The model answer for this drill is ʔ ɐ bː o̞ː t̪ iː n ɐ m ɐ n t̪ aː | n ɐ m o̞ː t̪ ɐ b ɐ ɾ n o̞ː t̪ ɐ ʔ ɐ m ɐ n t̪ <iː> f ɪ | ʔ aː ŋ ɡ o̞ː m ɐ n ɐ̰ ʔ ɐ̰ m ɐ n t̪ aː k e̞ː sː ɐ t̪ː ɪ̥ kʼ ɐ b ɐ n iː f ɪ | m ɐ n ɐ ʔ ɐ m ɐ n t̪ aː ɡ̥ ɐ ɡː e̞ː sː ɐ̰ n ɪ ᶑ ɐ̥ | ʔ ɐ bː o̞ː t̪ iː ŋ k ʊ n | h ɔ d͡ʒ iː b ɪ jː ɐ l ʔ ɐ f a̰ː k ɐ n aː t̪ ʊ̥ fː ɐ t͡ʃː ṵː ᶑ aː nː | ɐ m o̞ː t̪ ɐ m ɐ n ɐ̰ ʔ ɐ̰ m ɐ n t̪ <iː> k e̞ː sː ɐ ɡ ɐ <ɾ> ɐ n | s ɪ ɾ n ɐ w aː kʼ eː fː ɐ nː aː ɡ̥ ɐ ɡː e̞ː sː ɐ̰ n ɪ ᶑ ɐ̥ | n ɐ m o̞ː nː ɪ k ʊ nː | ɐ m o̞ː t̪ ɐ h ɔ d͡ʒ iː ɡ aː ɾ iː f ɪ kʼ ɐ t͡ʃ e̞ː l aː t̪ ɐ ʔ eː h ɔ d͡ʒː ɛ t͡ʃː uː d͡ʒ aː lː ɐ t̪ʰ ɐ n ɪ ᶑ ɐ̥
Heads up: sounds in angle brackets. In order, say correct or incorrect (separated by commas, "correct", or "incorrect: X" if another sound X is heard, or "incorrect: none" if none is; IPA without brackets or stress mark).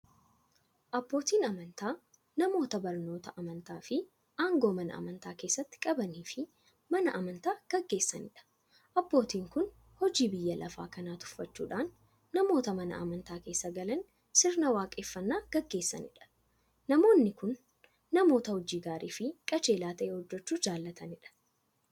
incorrect: aː, incorrect: aː, incorrect: l